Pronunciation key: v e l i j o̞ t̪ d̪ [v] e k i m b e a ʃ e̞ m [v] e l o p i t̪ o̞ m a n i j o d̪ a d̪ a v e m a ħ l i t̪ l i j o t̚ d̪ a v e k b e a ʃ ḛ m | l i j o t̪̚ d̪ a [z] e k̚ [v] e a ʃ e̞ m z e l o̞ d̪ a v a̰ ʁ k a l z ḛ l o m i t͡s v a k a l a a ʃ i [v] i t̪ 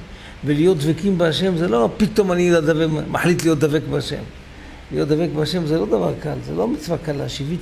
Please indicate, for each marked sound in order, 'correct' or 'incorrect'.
correct, incorrect: z, incorrect: v, incorrect: b, correct

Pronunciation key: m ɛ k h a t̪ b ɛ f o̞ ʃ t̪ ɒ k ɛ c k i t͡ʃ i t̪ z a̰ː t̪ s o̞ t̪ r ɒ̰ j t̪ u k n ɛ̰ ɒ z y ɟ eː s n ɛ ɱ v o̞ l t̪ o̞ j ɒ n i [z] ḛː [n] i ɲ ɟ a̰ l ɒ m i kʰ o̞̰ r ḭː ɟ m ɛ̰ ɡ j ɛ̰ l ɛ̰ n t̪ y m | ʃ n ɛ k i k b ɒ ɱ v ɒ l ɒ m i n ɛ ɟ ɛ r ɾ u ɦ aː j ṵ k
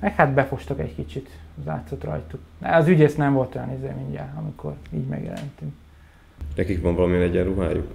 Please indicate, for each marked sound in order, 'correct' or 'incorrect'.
correct, incorrect: m

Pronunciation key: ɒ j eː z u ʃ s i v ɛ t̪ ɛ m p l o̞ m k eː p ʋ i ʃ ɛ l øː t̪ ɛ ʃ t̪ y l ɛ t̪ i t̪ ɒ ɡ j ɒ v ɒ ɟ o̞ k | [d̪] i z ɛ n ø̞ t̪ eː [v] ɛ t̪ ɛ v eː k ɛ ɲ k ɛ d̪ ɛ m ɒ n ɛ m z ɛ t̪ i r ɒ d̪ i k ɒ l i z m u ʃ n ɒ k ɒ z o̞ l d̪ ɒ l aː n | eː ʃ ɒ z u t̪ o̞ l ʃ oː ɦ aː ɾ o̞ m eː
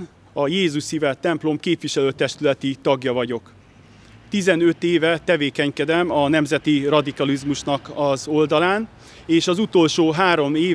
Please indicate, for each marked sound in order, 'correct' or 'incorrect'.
incorrect: t̪, correct

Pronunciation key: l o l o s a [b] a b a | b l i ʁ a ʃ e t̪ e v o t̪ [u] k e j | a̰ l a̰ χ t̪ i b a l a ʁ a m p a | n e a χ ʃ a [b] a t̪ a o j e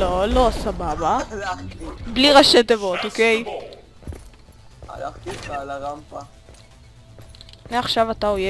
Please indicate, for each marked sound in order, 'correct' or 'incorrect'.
correct, incorrect: o, incorrect: v

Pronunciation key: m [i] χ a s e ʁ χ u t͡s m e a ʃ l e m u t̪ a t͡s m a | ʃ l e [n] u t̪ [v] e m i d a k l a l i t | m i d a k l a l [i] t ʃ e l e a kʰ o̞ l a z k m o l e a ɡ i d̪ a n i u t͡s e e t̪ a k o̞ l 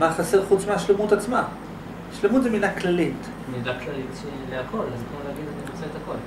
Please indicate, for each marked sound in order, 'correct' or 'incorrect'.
incorrect: a, incorrect: m, incorrect: z, correct

